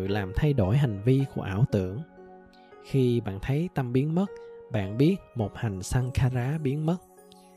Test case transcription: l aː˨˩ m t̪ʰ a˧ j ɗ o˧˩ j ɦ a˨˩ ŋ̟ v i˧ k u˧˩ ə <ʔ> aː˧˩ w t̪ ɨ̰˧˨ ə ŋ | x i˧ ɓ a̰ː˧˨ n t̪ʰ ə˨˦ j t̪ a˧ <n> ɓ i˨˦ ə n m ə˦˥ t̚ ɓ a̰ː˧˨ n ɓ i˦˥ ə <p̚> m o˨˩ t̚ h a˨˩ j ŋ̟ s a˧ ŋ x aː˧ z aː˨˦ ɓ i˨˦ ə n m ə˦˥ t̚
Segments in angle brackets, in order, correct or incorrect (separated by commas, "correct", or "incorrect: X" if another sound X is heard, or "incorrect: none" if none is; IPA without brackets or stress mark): correct, incorrect: m, incorrect: t̚